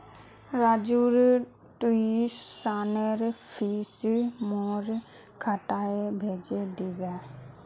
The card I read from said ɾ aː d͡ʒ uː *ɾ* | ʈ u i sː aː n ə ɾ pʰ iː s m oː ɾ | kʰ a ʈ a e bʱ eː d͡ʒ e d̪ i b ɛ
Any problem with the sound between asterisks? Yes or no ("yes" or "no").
no